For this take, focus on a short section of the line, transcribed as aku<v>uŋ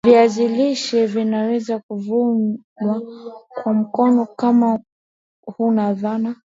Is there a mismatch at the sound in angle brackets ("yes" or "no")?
no